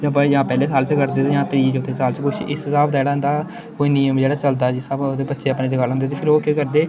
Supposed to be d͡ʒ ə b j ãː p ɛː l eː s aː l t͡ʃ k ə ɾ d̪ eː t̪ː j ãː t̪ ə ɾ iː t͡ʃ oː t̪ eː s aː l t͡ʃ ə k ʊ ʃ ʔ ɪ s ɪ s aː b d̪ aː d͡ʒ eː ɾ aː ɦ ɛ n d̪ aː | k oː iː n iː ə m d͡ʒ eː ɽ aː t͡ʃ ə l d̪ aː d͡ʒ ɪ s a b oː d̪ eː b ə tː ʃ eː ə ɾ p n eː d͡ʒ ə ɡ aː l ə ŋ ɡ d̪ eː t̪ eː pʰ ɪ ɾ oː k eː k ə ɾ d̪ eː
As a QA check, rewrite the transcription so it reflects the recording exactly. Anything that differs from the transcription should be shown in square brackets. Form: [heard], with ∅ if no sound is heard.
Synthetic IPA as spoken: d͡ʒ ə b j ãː p ɛː l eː s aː l t͡ʃ k ə ɾ d̪ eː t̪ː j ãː t̪ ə ɾ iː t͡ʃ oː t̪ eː s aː l t͡ʃ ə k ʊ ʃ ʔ ɪ s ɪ s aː b d̪ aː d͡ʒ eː [ɽ] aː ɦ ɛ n d̪ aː | k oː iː n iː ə m d͡ʒ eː ɽ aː t͡ʃ ə l d̪ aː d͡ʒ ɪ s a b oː d̪ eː b ə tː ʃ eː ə [∅] p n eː d͡ʒ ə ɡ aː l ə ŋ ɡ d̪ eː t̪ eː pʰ ɪ ɾ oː k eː k ə ɾ d̪ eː